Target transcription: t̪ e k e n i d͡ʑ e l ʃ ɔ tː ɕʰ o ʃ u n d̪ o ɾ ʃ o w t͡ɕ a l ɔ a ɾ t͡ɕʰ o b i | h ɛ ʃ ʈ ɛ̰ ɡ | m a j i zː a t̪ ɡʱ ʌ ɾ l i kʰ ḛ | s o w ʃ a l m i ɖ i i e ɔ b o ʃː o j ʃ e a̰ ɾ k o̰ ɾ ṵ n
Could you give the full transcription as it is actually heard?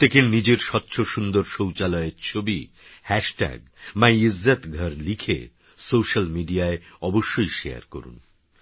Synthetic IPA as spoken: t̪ e k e n i d͡ʑ e ɾ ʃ ɔ tː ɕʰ o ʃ u n d̪ o ɾ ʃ o w t͡ɕ a l ɔ e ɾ t͡ɕʰ o b i | h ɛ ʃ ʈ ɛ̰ ɡ | m a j i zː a t̪ ɡʱ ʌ ɾ l i kʰ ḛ | s o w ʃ a l m i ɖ i a e ɔ b o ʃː o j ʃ e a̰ ɾ k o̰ ɾ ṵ n